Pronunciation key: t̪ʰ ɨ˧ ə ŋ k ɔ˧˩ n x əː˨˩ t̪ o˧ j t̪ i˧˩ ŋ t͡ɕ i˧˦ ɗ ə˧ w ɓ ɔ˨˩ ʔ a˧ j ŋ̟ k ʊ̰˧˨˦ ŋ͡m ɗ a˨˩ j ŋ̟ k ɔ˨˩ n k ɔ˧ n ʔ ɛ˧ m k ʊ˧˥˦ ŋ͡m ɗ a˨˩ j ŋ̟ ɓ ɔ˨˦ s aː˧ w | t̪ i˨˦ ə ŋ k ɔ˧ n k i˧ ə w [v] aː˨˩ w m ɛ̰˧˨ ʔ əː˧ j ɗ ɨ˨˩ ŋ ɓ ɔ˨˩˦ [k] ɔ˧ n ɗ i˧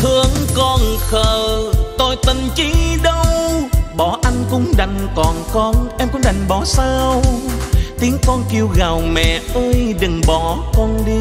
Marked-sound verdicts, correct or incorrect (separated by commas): incorrect, correct